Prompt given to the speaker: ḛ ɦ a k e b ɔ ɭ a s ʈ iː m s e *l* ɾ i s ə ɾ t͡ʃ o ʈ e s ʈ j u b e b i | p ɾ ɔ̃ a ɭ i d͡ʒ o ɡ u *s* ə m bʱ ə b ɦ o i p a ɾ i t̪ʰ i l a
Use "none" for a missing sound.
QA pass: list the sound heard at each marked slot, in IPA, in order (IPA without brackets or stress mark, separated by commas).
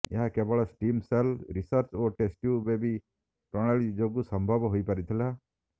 l, s